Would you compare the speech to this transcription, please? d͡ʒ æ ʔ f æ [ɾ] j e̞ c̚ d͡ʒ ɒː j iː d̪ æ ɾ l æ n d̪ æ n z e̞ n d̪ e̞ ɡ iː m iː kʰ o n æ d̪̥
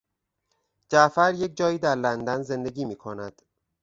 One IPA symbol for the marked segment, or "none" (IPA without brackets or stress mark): ɾ